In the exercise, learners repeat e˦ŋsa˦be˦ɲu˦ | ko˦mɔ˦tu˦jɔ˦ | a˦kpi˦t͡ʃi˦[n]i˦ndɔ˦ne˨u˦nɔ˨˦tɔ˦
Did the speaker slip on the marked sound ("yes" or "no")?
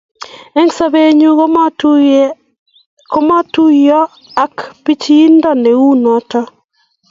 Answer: yes